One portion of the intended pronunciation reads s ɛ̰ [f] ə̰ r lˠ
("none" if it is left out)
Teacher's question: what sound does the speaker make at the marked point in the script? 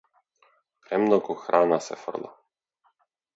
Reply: f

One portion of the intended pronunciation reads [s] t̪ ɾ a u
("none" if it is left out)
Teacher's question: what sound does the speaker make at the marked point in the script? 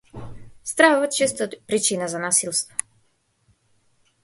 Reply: s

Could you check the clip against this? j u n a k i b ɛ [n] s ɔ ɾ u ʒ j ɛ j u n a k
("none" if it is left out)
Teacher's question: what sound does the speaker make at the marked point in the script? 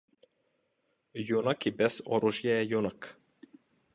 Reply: none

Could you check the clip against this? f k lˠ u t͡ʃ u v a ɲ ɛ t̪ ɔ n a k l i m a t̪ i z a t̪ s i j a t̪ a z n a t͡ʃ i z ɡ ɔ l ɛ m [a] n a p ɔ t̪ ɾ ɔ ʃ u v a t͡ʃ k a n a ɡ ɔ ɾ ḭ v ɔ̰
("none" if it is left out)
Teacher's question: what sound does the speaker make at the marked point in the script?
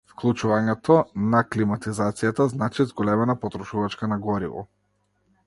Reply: ɛ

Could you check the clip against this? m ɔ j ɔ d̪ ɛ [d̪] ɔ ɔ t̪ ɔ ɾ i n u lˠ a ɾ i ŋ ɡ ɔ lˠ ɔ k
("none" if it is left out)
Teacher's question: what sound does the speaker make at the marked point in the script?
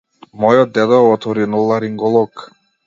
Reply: d̪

